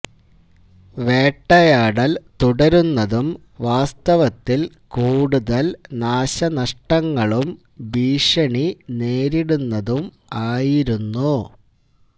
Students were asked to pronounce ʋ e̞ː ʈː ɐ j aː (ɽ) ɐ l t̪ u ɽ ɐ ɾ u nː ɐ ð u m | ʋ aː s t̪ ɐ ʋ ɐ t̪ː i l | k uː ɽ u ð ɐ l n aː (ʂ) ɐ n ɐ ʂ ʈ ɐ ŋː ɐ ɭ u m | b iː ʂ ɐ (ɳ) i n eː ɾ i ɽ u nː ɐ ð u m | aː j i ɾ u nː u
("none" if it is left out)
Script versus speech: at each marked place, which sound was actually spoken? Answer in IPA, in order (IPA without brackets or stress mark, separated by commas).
ɽ, ɕ, ɳ